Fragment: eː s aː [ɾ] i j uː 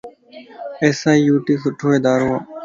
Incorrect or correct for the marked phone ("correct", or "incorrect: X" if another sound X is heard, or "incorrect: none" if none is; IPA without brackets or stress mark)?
incorrect: none